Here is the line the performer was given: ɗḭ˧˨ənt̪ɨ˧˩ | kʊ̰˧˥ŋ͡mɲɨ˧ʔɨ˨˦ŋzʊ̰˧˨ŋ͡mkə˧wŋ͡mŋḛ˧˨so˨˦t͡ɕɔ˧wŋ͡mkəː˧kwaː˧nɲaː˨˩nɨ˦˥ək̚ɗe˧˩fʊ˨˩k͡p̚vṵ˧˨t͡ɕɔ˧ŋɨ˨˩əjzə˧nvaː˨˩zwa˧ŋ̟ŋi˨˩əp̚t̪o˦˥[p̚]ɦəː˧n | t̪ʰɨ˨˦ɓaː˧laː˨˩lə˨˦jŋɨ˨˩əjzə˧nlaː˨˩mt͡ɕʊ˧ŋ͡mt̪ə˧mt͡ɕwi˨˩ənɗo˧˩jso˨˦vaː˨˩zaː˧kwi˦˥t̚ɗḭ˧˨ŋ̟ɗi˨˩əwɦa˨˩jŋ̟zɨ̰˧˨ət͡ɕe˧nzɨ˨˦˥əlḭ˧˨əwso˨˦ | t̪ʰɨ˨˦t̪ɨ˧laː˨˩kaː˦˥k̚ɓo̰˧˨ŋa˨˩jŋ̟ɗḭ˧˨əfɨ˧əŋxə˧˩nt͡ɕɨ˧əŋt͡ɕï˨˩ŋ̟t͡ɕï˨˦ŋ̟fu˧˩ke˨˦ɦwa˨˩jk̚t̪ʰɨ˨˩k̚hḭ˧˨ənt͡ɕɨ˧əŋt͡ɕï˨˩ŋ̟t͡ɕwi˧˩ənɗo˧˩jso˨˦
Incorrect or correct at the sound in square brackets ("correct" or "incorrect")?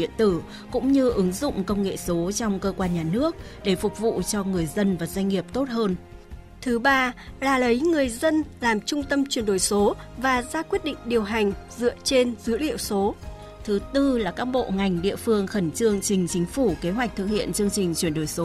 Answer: incorrect